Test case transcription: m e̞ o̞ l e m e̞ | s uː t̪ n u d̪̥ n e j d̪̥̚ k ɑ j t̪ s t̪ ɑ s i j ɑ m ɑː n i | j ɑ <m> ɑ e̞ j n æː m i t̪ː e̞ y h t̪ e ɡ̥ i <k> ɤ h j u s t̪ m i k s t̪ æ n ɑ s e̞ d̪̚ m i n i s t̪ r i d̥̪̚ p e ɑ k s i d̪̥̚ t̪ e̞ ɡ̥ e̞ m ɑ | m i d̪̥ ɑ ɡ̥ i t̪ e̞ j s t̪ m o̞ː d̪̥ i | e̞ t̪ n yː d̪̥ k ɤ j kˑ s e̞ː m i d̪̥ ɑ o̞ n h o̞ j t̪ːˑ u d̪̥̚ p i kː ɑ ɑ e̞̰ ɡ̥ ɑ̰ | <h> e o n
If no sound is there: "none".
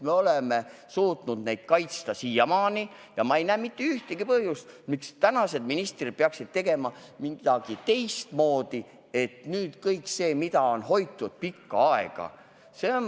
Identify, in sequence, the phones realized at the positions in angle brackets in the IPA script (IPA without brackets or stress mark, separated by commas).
m, p, s